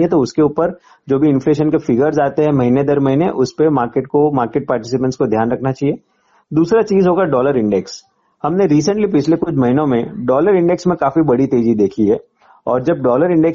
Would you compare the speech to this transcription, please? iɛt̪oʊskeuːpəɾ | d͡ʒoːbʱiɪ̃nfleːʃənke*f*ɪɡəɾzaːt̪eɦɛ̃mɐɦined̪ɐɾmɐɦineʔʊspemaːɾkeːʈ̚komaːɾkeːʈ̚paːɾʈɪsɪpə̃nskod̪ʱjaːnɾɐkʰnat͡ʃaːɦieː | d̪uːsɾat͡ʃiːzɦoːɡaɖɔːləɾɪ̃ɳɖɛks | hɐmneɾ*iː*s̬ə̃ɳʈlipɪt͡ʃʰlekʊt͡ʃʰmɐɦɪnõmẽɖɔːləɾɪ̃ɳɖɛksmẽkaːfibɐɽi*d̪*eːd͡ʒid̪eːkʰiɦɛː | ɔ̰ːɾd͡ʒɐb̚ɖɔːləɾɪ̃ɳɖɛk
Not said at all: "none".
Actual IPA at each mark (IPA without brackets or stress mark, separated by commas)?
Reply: f, iː, t̪